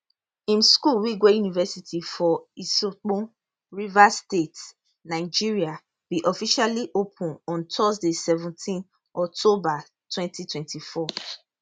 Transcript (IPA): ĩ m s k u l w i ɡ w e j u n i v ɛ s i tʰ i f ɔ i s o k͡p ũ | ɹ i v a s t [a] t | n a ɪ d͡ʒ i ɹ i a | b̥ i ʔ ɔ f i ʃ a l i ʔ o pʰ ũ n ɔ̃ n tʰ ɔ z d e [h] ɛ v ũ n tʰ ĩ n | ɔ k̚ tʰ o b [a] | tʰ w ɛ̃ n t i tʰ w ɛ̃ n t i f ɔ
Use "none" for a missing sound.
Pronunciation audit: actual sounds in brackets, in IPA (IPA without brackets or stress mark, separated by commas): e, s, a